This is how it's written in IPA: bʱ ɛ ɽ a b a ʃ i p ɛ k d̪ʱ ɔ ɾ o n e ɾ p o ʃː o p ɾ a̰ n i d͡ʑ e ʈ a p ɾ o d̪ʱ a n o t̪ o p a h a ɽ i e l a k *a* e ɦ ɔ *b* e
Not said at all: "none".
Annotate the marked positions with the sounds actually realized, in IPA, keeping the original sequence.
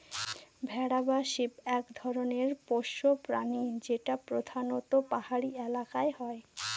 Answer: a, none

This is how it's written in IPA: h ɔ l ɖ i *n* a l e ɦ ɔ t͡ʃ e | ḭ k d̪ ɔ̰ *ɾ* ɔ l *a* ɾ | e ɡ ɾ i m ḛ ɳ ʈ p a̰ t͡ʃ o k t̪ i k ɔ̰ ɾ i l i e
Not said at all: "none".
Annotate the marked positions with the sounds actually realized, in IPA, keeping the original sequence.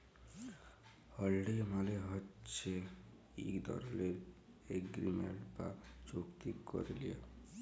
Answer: m, ɾ, e

